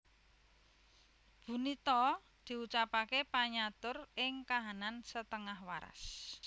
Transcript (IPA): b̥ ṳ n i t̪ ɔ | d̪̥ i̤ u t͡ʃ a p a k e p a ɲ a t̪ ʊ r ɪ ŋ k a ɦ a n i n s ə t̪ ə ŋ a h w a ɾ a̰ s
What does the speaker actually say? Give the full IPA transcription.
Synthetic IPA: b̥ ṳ n i t̪ ɔ | d̪̥ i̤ u t͡ʃ a p a k e p a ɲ a t̪ ʊ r ɪ ŋ k a ɦ a n a n s ə t̪ ə ŋ a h w a ɾ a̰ s